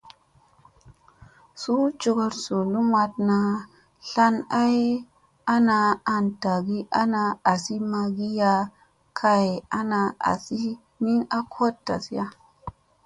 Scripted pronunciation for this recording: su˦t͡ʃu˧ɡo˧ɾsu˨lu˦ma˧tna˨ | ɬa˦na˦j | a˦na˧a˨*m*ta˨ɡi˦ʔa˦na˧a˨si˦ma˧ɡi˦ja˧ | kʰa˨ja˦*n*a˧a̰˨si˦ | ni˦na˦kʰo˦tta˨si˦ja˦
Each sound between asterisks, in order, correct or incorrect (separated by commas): incorrect, correct